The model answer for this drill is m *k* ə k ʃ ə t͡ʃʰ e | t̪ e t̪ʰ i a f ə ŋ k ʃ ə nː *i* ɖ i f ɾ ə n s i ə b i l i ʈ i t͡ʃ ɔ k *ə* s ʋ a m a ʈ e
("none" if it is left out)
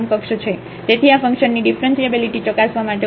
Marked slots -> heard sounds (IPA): k, i, a

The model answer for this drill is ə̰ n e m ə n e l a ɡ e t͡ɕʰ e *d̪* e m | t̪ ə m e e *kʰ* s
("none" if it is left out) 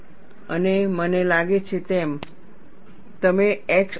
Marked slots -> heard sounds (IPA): t̪, k

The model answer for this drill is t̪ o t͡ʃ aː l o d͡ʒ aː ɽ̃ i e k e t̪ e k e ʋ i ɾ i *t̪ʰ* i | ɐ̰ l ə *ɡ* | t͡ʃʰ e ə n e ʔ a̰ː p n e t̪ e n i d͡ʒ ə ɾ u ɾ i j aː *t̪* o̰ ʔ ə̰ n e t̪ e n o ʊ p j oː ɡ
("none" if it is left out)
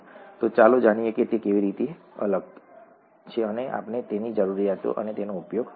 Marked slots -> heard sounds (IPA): t̪, ɡ, t̪

